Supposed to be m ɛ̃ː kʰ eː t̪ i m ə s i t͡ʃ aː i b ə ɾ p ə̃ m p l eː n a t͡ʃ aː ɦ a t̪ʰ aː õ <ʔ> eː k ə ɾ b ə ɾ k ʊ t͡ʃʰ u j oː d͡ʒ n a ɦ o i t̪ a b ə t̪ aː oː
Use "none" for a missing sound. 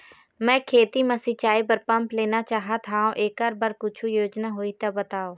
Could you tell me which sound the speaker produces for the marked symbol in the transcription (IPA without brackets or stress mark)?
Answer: ʔ